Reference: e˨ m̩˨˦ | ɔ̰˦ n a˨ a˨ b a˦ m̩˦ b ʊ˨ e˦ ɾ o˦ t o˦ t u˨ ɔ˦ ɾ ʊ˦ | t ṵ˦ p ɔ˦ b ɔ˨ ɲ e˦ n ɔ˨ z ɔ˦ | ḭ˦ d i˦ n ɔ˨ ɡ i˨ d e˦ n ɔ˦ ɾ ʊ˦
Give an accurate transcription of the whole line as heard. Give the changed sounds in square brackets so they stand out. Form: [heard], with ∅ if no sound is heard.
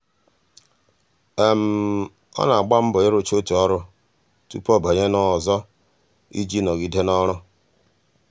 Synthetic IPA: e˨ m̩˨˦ | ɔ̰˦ n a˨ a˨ [ɡ͡b] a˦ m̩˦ b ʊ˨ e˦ ɾ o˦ [t͡ʃ] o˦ t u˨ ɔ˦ ɾ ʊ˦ | t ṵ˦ p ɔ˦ b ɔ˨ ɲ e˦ n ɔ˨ z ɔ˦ | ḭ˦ [d͡ʒ] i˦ n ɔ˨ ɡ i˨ d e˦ n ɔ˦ ɾ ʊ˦